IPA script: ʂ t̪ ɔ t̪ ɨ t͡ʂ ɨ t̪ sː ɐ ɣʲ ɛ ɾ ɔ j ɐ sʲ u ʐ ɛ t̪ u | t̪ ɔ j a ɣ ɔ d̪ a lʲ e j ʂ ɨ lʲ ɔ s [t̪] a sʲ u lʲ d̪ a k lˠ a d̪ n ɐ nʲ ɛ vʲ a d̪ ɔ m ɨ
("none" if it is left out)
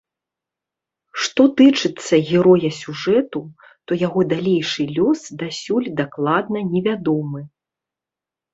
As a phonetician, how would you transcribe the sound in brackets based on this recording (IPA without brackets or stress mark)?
d̪